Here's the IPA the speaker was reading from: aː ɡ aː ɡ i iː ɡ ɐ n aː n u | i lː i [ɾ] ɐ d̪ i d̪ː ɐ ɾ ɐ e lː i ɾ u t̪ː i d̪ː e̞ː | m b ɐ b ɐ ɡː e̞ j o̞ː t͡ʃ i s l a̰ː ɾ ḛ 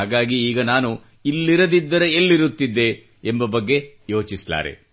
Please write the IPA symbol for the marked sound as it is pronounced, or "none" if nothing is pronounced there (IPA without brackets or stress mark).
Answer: ɾ